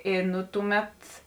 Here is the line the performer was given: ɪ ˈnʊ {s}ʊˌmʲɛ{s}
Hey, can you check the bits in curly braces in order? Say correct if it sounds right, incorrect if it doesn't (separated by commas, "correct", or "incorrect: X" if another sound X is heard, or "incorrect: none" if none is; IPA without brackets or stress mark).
incorrect: t, incorrect: t